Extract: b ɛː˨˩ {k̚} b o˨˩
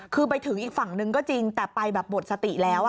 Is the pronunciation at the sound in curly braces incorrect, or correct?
incorrect: p̚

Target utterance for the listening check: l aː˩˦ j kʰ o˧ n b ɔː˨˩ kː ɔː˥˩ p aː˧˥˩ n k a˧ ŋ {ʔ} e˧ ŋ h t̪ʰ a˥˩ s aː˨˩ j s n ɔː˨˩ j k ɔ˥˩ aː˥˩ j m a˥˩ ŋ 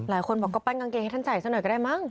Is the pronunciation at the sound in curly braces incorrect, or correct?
incorrect: k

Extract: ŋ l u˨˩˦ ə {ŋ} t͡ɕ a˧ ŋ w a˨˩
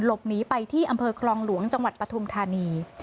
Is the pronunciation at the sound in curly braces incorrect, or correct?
correct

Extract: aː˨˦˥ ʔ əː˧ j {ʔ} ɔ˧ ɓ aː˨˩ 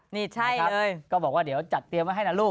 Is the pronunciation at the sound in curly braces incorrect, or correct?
incorrect: k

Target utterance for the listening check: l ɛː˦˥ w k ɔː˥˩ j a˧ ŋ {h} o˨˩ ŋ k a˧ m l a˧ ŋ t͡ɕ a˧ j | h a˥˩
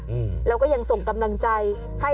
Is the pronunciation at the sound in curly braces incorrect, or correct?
incorrect: s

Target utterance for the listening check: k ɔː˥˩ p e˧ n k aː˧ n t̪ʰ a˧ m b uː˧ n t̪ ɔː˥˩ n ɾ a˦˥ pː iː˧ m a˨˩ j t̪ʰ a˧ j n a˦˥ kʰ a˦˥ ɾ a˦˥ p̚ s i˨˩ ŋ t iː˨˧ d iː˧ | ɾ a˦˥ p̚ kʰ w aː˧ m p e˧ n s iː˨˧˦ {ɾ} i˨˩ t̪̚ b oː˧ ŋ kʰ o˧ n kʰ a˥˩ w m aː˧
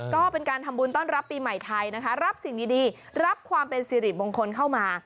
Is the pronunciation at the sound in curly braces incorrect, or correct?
correct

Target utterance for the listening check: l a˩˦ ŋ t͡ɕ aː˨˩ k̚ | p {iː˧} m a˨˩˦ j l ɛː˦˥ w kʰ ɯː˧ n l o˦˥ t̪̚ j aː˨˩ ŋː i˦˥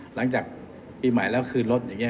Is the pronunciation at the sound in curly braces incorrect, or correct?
correct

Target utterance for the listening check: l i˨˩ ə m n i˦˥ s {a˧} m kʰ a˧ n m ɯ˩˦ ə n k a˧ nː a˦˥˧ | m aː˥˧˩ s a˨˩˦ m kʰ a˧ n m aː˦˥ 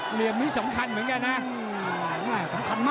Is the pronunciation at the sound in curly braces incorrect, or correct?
incorrect: a˩˦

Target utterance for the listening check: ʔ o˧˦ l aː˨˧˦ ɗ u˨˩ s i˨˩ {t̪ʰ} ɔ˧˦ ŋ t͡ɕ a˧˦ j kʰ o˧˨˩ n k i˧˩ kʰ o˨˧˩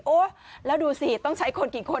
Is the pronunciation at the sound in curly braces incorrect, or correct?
incorrect: t̪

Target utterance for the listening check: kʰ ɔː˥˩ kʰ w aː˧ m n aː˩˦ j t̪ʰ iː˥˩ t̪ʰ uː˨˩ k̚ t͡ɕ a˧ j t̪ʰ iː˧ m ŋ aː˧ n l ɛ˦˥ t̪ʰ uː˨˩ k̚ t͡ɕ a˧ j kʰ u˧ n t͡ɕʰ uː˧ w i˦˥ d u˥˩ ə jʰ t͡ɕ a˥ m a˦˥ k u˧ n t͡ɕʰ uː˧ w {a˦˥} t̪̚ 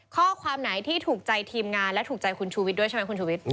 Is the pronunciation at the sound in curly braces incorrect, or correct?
incorrect: i˦˥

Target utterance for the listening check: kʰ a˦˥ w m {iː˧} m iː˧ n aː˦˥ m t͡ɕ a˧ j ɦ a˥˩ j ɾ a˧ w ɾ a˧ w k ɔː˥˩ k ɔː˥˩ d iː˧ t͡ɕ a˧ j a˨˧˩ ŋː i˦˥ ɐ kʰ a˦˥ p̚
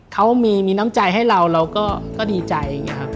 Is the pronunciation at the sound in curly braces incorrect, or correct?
correct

